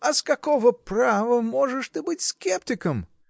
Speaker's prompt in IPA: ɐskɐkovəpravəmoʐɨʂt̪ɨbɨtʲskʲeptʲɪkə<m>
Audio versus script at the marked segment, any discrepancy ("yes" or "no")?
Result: no